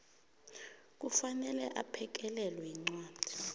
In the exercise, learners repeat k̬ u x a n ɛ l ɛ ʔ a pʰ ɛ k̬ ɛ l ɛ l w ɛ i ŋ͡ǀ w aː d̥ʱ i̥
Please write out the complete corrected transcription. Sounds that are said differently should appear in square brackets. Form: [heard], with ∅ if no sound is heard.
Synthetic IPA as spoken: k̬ u [f] a n ɛ l ɛ ʔ a pʰ ɛ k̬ ɛ l ɛ l w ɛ i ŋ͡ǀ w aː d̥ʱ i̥

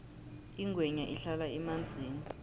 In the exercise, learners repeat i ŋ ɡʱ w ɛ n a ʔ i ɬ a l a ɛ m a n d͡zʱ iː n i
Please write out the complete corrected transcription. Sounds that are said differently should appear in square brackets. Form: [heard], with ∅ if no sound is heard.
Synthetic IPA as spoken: i ŋ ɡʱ w ɛ [ɲ] a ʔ i ɬ a l a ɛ m a n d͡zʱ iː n i

